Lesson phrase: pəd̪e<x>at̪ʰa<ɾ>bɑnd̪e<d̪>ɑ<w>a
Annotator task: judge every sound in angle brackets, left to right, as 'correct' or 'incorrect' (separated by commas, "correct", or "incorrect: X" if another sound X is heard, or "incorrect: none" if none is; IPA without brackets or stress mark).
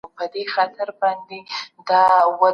correct, correct, correct, correct